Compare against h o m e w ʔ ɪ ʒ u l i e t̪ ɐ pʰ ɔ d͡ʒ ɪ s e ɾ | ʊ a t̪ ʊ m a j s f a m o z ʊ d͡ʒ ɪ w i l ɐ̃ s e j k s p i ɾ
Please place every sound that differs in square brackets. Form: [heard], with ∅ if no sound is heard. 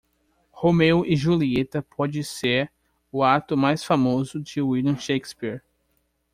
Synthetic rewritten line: h o m e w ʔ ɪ ʒ u l i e t̪ ɐ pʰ ɔ d͡ʒ ɪ s e ɾ | ʊ a t̪ ʊ m a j s f a m o z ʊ d͡ʒ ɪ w i l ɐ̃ [ʃ] e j k s p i ɾ